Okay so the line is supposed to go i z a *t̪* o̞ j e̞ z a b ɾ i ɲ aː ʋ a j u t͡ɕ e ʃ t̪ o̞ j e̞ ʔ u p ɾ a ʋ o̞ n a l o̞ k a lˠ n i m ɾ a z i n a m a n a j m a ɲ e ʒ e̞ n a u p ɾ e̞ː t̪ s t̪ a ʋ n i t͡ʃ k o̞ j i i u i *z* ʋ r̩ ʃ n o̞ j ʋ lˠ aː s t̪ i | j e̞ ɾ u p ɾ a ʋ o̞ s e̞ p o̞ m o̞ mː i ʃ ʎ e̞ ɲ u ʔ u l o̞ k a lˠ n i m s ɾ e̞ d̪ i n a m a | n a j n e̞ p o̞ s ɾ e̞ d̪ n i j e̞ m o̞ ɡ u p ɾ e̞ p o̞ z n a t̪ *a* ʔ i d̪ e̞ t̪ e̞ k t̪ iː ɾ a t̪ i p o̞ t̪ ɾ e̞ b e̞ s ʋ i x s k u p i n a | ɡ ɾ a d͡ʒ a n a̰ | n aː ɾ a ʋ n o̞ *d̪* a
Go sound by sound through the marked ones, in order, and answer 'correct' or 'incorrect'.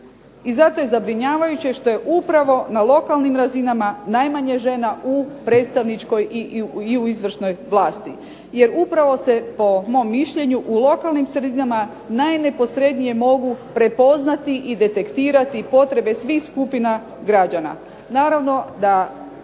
correct, correct, incorrect: i, correct

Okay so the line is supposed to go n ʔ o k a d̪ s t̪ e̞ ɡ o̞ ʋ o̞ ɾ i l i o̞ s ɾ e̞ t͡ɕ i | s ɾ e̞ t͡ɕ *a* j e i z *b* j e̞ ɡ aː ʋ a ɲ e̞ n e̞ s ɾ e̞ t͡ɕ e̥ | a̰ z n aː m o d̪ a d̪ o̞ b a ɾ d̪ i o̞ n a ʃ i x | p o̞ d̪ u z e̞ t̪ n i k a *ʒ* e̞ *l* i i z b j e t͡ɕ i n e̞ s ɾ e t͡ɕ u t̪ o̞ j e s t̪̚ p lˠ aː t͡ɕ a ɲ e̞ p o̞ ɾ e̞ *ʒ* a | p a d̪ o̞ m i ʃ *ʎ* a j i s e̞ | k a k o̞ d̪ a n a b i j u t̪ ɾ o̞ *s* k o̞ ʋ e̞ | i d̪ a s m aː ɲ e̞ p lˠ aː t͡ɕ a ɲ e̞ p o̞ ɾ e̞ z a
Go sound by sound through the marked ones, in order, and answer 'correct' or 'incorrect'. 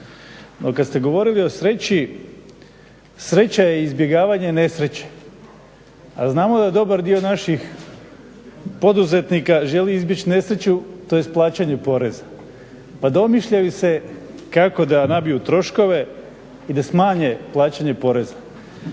correct, correct, correct, correct, incorrect: z, correct, incorrect: ʃ

